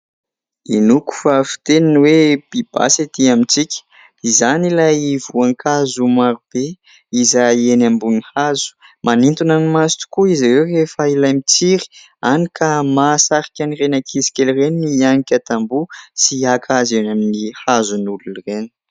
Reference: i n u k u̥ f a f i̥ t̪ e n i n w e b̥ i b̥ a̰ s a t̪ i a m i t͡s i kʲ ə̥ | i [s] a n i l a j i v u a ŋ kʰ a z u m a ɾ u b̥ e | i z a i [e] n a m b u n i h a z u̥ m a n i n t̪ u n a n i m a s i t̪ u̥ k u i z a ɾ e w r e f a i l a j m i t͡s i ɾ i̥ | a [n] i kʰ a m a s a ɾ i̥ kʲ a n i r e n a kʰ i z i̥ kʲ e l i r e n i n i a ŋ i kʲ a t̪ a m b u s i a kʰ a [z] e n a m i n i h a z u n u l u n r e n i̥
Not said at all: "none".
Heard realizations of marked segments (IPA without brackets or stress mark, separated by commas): z, e, n, z